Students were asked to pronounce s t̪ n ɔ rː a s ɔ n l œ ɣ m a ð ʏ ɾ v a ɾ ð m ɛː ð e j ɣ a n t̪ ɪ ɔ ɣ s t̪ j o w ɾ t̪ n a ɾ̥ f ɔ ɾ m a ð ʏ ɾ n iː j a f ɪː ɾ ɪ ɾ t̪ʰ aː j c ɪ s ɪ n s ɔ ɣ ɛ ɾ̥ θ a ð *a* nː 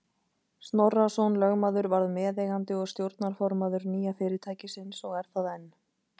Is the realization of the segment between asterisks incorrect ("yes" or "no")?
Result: yes